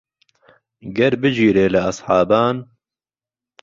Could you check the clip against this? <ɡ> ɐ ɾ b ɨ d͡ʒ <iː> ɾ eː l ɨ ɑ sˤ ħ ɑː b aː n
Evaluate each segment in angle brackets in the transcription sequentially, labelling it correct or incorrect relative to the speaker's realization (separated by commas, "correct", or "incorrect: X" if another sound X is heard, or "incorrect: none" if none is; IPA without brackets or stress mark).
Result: correct, correct